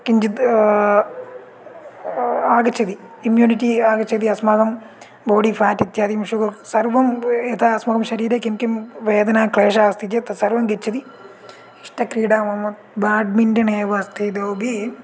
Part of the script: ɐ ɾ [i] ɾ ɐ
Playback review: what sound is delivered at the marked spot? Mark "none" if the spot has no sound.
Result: iː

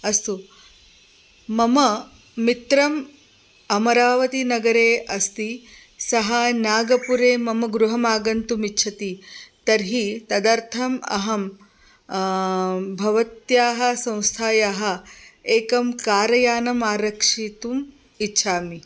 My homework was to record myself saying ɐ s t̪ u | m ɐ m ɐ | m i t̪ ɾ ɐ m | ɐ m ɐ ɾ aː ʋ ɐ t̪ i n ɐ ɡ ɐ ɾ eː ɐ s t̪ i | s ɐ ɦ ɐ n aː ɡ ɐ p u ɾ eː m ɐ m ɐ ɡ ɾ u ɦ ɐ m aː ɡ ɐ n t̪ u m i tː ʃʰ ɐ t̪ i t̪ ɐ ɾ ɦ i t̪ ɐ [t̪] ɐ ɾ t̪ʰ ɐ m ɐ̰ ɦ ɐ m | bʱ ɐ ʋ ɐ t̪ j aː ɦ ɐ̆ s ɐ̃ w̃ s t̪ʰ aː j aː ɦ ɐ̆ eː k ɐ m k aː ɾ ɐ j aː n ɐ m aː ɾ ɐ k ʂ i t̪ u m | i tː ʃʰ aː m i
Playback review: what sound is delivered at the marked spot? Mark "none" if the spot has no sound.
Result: d̪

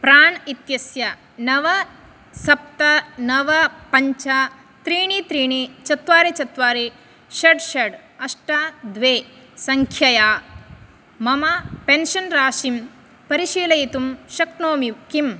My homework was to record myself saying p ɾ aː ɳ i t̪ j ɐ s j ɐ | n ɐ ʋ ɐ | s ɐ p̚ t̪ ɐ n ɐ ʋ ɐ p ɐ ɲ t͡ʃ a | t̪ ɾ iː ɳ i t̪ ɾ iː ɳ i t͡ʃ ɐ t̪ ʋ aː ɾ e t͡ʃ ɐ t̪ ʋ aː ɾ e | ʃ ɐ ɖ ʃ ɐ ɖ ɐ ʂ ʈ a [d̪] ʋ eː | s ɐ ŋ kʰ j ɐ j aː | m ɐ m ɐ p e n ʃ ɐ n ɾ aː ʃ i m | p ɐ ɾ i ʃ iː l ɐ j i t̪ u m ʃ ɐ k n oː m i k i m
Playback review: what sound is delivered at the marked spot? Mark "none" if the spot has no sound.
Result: d̪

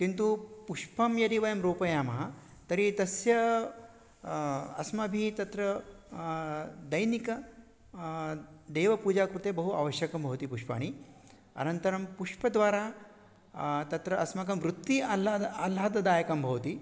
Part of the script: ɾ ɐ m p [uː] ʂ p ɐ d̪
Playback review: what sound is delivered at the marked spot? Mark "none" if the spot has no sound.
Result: u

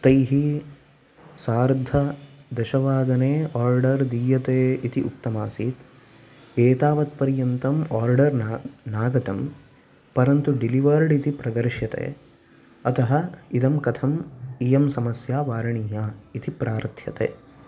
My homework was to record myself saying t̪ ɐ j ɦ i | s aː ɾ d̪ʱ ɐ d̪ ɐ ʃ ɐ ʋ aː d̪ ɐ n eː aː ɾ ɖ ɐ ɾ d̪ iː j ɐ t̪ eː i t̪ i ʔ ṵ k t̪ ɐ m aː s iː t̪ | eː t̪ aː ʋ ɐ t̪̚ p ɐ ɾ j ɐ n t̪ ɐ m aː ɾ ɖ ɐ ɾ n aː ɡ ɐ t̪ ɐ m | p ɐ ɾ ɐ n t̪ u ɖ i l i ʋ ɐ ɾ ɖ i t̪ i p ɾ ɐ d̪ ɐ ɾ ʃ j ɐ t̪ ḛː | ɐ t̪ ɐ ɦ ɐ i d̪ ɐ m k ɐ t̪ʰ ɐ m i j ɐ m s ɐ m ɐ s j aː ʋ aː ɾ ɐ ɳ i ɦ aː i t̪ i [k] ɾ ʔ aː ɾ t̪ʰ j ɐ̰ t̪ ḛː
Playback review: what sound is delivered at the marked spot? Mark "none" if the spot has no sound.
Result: p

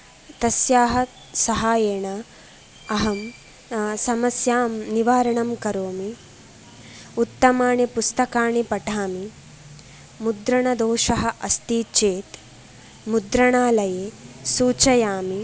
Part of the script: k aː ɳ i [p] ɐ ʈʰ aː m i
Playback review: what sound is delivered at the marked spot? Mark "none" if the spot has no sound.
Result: p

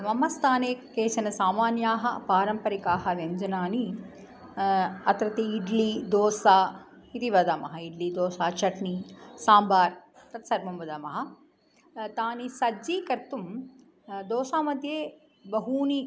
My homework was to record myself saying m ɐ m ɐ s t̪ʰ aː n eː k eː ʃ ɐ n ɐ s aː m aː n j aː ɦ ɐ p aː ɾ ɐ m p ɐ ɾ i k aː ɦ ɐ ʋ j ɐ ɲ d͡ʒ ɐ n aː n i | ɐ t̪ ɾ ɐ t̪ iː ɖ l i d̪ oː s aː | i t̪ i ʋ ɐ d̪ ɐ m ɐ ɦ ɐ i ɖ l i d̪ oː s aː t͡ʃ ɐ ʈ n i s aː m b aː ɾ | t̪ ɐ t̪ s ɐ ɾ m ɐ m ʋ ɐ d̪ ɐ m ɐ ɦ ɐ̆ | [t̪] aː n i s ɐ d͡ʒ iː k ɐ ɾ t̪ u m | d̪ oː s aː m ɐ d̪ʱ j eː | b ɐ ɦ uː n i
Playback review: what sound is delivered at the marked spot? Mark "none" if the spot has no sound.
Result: t̪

